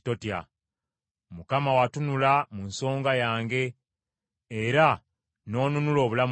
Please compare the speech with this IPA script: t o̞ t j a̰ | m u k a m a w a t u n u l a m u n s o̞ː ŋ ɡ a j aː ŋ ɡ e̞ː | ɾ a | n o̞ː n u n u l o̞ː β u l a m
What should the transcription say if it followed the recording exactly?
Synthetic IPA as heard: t o̞ t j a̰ | m u k a m a w a t u n u l a m u n s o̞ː ŋ ɡ a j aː ŋ ɡ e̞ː | ɾ a | n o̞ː n u n u l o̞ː β u l a m